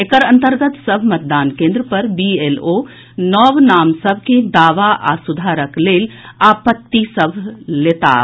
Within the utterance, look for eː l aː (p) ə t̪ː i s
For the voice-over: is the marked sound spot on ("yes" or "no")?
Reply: yes